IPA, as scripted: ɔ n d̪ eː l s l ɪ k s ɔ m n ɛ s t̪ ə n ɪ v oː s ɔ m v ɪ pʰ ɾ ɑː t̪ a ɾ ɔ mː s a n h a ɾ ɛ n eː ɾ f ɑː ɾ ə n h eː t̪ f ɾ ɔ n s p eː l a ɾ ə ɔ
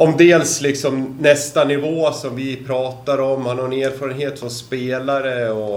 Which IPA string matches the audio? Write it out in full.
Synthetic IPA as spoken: ɔ m d̪ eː l s l ɪ k s ɔ m n ɛ s t̪ a n ɪ v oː s ɔ m v ɪ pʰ ɾ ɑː t̪ a ɾ ɔ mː h a n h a ɾ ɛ n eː ɾ f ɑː ɾ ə n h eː t̪ f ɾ ɔ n s p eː l a ɾ ə ɔ